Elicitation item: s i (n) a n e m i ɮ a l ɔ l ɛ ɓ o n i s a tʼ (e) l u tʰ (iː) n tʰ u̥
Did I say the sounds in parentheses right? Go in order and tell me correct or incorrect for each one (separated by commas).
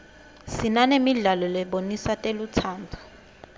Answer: correct, correct, incorrect